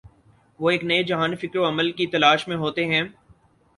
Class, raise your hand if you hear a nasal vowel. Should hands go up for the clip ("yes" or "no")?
yes